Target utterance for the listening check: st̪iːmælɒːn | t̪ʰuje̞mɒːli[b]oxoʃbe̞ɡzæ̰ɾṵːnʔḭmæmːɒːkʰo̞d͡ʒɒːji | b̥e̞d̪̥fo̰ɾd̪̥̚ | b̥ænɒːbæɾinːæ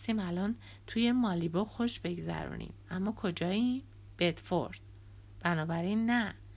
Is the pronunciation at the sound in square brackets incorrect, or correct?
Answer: correct